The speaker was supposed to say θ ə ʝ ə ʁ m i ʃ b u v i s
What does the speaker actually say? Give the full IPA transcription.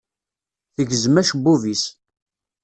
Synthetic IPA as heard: θ ə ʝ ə z m æ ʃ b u v i s